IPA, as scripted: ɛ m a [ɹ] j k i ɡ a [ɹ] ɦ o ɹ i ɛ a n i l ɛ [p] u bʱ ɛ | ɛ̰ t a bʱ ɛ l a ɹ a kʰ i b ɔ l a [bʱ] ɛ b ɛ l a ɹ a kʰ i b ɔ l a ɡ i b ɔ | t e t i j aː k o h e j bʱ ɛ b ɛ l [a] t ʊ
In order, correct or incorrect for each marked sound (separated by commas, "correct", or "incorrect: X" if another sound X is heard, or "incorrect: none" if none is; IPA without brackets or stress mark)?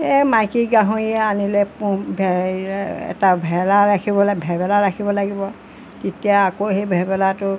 incorrect: none, incorrect: none, correct, correct, correct